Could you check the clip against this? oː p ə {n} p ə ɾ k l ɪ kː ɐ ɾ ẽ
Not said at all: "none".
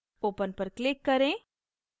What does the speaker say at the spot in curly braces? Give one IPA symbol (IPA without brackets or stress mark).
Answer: n